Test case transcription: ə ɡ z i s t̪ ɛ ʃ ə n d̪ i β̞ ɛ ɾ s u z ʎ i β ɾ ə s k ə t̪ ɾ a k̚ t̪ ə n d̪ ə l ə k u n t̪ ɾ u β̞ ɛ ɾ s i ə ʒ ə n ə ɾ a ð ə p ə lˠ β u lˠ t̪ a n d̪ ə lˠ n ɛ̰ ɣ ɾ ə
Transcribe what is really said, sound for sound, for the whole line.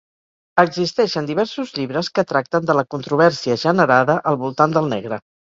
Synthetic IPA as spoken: ə ɡ z i s t̪ ɛ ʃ ə n d̪ i β̞ ɛ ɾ s u z ʎ i β ɾ ə s k ə t̪ ɾ a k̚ t̪ ə n d̪ ə l ə k u n t̪ ɾ u β̞ ɛ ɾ s i ə ʒ ə n ə ɾ a ð ə ʔ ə lˠ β u lˠ t̪ a n d̪ ə lˠ n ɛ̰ ɣ ɾ ə